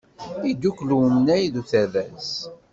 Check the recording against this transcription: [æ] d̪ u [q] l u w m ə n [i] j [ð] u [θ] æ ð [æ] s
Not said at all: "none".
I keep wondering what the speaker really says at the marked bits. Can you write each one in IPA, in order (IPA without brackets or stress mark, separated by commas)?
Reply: i, k, æ, ð, θ, æ